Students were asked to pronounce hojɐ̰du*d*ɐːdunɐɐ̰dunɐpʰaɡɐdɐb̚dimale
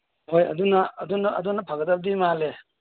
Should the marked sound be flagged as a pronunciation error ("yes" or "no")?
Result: yes